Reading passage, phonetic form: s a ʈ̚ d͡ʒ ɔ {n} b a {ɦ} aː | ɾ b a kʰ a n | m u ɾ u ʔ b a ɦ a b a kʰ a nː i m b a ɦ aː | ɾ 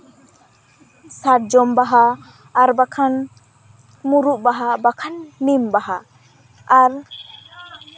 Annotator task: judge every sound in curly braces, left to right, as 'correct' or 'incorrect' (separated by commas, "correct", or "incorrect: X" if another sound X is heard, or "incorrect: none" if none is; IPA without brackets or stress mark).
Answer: incorrect: m, correct